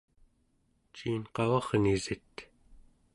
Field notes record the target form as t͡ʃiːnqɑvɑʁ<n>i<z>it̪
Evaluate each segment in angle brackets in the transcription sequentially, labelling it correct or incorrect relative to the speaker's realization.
correct, correct

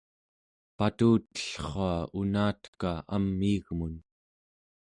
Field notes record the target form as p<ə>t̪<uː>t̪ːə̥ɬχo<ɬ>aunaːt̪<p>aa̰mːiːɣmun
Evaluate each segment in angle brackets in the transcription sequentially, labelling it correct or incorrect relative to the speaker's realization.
incorrect: a, correct, incorrect: none, incorrect: k

